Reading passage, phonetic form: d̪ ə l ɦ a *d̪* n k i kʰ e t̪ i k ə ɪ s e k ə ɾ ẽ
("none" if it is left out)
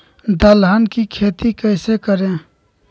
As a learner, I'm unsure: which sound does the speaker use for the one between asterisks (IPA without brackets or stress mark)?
none